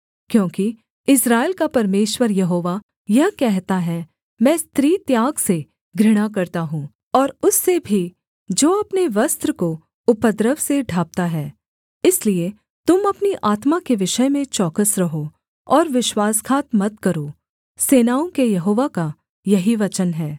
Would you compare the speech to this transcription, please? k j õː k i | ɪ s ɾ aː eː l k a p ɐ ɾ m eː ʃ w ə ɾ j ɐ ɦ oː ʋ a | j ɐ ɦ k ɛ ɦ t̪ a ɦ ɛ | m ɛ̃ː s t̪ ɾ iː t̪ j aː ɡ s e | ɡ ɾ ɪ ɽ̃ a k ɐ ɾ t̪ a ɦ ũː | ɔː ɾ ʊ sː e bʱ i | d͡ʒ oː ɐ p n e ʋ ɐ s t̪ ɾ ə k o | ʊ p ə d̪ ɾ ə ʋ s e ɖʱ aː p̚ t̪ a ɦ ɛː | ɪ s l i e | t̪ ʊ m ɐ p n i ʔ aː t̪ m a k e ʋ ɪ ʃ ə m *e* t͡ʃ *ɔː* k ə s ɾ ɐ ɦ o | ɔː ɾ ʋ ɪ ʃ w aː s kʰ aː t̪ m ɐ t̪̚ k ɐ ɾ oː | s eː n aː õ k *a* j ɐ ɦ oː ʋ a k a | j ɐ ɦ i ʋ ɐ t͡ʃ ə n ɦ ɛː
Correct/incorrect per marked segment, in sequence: incorrect: ẽ, correct, incorrect: e

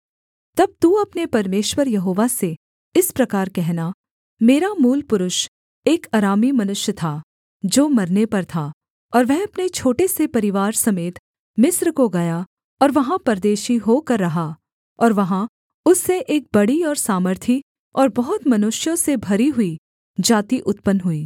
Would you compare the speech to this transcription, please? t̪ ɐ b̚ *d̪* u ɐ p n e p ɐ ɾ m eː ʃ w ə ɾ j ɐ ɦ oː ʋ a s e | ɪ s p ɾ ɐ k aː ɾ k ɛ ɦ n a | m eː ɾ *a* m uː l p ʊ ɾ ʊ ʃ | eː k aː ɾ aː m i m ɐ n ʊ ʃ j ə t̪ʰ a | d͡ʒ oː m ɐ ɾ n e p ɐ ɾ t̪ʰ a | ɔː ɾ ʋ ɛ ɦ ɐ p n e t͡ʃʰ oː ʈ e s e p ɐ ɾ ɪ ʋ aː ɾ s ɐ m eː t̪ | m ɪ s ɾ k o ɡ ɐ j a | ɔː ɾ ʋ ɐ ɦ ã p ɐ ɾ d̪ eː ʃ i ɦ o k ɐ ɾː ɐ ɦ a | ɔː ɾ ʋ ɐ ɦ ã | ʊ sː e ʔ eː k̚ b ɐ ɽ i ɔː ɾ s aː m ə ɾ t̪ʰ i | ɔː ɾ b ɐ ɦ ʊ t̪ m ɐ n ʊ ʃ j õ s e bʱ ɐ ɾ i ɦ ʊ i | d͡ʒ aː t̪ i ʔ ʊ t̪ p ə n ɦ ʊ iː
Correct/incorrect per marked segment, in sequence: incorrect: t̪, correct

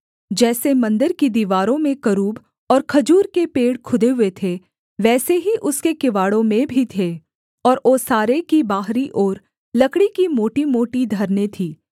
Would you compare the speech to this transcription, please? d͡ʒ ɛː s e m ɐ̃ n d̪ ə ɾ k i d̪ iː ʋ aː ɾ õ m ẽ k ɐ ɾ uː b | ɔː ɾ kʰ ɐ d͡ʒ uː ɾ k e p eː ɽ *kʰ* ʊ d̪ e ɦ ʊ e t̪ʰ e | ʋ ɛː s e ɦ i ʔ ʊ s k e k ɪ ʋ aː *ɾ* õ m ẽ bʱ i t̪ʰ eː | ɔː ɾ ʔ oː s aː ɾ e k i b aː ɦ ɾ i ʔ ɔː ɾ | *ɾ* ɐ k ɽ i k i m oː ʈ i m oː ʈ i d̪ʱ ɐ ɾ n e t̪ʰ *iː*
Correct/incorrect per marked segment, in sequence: correct, incorrect: ɽ, incorrect: l, correct

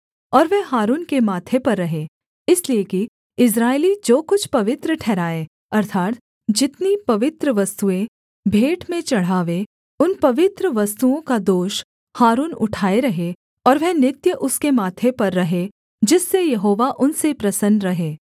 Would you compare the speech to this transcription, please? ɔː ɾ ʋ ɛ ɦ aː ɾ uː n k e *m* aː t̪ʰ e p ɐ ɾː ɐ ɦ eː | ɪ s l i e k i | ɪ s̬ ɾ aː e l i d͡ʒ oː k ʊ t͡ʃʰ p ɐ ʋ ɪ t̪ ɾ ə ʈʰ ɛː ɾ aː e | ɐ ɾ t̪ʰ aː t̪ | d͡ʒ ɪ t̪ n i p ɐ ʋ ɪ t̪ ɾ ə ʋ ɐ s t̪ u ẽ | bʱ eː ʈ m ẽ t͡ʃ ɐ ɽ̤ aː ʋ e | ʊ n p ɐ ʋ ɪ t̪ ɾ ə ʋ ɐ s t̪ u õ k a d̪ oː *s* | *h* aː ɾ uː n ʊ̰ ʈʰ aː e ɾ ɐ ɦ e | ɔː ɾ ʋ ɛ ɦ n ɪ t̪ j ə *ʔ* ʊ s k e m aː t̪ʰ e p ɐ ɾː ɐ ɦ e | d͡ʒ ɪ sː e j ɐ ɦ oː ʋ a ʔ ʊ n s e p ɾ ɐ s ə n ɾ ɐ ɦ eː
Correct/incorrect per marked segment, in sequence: correct, incorrect: ʃ, correct, correct

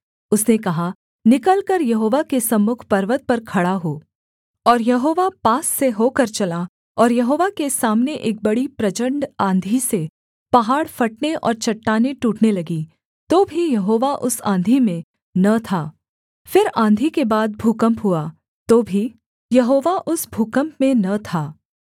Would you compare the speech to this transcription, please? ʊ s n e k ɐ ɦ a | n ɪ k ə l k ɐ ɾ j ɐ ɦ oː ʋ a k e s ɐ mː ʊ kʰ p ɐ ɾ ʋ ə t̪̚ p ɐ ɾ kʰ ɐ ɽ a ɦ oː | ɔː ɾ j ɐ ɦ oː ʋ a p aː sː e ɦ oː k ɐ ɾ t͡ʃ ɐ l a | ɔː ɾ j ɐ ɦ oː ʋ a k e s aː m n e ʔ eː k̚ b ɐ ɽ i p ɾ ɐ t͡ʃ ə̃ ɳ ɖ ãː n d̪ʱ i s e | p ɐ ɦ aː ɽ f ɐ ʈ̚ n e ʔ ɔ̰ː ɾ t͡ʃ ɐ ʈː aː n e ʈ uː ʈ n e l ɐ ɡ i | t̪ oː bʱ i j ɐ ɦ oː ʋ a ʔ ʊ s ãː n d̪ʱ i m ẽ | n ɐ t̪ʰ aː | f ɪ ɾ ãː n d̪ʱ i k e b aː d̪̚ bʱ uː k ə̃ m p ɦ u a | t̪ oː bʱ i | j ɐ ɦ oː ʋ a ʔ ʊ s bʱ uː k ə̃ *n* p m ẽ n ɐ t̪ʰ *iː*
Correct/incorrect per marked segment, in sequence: incorrect: m, incorrect: aː

